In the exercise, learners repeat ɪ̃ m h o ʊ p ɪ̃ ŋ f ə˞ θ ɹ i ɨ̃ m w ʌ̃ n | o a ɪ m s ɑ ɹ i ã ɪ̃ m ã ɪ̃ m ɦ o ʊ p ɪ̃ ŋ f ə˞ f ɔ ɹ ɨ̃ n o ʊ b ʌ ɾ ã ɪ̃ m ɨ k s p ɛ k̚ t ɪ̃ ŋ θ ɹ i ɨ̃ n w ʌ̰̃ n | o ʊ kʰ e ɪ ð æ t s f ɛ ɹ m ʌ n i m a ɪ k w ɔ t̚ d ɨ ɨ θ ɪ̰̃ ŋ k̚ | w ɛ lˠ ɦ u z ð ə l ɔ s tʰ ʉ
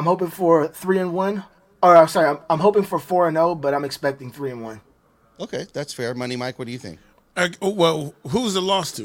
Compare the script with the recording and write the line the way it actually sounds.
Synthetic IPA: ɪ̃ m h o ʊ p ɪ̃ ŋ f ə˞ θ ɹ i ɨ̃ n w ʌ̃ n | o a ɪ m s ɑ ɹ i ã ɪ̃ m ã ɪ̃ m ɦ o ʊ p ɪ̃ ŋ f ə˞ f ɔ ɹ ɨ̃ n o ʊ b ʌ ɾ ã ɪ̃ m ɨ k s p ɛ k̚ t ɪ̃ ŋ θ ɹ i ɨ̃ n w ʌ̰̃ n | o ʊ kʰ e ɪ ð æ t s f ɛ ɹ m ʌ n i m a ɪ k w ʌ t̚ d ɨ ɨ θ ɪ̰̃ ŋ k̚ | w ɛ lˠ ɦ u z ð ə l ɔ s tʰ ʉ